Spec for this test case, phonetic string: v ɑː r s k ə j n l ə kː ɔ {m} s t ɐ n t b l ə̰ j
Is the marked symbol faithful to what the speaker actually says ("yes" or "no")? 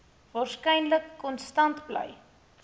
no